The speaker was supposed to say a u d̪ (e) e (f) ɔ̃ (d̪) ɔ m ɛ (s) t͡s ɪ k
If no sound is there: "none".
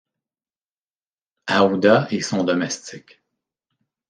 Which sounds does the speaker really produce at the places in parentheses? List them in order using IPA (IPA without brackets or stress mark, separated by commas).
a, s, d̪, s